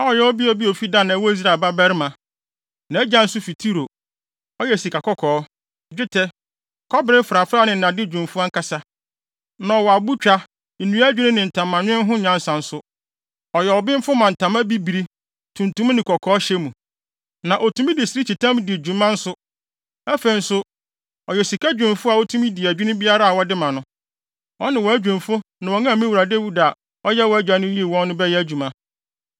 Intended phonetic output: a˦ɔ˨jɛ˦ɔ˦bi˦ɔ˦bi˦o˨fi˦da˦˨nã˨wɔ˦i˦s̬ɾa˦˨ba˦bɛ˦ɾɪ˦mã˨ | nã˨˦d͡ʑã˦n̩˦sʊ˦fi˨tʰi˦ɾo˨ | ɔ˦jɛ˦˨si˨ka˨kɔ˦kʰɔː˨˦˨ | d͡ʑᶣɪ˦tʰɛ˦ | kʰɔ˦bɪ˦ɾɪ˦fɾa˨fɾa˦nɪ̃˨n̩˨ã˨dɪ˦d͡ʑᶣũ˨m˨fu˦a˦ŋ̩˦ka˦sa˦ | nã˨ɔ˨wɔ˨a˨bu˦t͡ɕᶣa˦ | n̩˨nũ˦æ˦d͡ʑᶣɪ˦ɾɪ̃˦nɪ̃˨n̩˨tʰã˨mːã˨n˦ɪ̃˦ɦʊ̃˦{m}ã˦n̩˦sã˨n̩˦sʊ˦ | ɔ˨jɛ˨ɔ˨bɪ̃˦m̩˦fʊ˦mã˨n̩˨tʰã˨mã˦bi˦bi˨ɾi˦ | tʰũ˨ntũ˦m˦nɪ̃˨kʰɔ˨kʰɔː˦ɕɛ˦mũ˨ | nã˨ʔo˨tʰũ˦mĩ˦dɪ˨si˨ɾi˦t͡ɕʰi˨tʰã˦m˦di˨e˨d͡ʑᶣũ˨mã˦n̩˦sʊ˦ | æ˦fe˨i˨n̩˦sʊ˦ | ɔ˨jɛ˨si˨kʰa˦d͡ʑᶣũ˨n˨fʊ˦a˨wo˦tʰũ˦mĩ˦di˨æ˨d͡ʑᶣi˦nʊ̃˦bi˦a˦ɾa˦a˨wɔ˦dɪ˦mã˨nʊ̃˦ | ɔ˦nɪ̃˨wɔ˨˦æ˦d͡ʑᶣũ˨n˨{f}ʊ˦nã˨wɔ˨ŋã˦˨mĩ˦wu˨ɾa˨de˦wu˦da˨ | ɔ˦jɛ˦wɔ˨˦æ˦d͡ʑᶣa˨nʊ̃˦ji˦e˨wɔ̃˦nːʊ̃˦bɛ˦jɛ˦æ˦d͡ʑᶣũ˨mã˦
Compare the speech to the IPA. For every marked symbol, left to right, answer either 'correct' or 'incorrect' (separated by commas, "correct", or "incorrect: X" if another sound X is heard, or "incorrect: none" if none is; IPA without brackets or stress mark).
incorrect: ɲ, correct